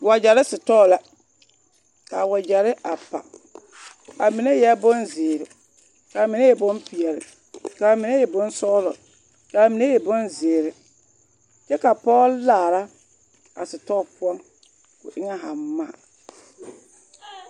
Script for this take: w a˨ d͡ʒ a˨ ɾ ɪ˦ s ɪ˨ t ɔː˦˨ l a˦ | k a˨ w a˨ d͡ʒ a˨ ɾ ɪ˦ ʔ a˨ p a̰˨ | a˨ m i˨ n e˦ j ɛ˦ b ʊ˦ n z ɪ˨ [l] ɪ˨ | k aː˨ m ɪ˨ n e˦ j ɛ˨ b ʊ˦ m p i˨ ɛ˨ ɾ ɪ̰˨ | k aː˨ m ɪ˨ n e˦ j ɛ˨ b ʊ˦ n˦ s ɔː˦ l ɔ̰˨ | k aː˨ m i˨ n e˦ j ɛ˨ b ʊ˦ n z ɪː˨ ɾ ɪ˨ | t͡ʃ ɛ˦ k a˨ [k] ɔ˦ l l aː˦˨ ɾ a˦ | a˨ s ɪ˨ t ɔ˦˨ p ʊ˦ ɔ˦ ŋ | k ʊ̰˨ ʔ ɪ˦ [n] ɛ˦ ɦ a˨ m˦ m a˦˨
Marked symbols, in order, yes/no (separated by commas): no, no, no